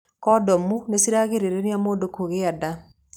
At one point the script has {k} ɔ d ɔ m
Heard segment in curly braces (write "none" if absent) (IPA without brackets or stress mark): k